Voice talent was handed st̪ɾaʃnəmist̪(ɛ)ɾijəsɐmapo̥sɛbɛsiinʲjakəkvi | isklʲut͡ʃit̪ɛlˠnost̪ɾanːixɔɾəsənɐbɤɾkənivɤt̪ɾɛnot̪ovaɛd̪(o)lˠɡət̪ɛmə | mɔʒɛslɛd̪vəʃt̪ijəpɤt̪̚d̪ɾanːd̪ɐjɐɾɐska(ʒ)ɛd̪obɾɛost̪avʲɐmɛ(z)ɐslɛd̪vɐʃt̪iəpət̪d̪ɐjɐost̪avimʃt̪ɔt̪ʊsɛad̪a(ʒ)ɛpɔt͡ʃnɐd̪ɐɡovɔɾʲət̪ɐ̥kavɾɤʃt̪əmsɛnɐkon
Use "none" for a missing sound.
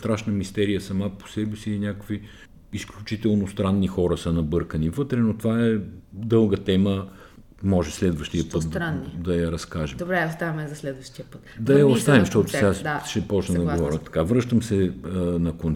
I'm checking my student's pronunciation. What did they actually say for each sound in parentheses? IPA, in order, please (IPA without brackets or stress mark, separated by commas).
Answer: ɛ, ɤ, ʒ, z, ʃ